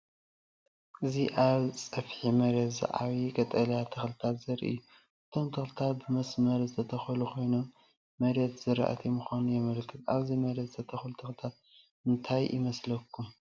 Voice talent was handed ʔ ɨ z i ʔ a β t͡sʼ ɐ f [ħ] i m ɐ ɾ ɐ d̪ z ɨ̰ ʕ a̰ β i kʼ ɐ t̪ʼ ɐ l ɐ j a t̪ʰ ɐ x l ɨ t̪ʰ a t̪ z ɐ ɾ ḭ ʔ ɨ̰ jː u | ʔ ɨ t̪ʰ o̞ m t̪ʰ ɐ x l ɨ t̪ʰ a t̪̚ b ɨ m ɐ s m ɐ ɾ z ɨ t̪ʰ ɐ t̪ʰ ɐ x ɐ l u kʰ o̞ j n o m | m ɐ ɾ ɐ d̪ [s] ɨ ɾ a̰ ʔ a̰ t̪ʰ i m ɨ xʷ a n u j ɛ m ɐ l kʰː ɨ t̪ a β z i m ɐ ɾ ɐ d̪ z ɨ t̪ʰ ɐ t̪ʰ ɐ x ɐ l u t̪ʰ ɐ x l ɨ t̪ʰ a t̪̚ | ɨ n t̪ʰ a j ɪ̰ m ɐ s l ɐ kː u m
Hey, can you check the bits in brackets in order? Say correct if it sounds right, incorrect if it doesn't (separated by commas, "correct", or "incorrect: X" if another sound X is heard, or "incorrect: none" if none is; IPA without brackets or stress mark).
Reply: correct, incorrect: z